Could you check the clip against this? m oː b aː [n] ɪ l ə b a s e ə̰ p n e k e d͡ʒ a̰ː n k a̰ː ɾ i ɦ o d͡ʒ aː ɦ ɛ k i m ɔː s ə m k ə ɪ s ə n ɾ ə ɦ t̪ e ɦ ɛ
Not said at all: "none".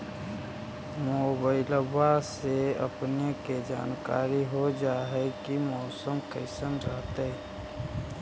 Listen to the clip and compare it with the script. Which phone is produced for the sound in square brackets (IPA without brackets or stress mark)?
none